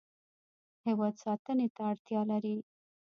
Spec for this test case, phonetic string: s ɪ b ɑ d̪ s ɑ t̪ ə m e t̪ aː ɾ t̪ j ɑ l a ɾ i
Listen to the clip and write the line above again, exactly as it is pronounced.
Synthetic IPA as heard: h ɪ w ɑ d̪ s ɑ t̪ ə n e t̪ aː ɽ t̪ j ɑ l a ɾ i